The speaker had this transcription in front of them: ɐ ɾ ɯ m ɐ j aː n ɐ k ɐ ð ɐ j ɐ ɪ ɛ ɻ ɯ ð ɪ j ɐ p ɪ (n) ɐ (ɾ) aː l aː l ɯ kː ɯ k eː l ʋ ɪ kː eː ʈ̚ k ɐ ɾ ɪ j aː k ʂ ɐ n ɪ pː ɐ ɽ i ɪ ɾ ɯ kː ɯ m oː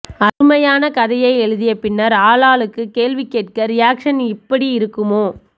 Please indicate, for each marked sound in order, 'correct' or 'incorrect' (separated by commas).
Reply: incorrect, correct